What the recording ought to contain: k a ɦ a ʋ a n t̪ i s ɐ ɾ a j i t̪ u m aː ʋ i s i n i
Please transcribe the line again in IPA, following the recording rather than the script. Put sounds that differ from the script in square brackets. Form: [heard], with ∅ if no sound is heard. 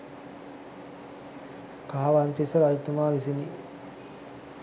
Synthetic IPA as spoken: k a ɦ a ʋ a n t̪ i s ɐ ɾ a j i t̪ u m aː ʋ i s i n i